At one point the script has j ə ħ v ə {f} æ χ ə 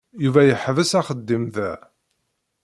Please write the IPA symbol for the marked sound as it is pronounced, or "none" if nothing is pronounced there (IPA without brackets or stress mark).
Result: s